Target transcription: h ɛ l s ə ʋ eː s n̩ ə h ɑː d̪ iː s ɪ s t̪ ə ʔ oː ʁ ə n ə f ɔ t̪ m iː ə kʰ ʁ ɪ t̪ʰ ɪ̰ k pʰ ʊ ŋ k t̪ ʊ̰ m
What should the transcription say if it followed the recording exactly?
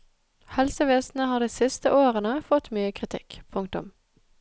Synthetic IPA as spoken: h ɛ l s ə ʋ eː s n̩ ə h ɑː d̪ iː s ɪ s t̪ ə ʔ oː ʁ ə n ə f ɔ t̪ m yː ə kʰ ʁ ɪ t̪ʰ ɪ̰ k pʰ ʊ ŋ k t̪ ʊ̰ m